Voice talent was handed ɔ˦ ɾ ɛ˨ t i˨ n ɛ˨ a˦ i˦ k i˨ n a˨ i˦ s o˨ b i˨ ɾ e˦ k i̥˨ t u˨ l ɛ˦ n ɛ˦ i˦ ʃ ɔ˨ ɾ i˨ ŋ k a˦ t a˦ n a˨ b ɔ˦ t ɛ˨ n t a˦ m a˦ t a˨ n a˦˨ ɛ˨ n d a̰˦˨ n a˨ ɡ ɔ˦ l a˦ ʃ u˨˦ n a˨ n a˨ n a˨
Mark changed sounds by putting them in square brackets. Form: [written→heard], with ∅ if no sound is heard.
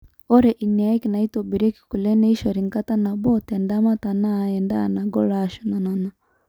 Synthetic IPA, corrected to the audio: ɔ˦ ɾ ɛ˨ [t→ʔ] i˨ n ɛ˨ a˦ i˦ k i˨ n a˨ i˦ [s→t] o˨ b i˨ ɾ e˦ k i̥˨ [t→k] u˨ l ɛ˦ n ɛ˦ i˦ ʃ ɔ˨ ɾ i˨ ŋ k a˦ t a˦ n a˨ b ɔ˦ t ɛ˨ n [t→d] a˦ m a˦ t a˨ n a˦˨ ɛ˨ n d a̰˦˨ n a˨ ɡ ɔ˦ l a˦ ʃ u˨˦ n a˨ n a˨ n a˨